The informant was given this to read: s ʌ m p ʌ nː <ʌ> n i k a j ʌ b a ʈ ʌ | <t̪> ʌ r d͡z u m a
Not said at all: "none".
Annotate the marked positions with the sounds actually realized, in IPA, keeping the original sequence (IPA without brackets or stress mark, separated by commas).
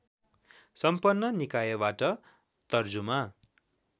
ʌ, t̪